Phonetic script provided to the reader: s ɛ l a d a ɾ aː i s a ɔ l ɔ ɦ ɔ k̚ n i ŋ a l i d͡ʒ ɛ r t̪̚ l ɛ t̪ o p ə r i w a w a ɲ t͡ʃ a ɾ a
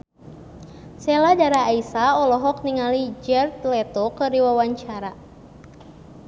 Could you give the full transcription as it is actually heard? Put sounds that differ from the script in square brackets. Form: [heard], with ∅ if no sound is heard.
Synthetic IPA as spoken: s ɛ l a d a ɾ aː i s a ɔ l ɔ ɦ ɔ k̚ n i ŋ a l i d͡ʒ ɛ r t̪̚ l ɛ t̪ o [k] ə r i w a w a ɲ t͡ʃ a ɾ a